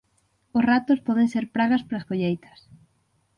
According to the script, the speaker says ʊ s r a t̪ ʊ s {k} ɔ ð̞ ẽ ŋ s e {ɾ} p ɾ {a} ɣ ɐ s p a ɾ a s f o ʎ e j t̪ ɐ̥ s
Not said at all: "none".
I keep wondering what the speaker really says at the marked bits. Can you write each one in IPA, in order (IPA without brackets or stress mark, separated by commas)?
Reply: p, ɾ, a